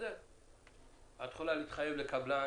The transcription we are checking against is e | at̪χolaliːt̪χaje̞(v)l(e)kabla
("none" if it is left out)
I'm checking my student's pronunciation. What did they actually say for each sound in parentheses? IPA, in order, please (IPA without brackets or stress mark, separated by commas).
v, e